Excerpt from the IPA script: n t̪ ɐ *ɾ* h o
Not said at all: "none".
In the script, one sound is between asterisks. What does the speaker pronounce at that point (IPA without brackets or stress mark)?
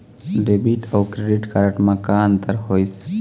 ɾ